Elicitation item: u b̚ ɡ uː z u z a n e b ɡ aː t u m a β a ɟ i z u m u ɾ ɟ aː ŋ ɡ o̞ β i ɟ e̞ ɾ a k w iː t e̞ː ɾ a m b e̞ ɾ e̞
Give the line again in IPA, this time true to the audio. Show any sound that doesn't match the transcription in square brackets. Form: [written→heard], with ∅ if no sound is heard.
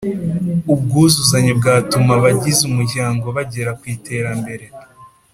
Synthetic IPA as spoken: u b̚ ɡ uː z u z a [n→ɲ] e b ɡ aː t u m a β a ɟ i z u m u ɾ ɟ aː ŋ ɡ o̞ β [i→a] ɟ e̞ ɾ a k w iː t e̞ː ɾ a m b e̞ ɾ e̞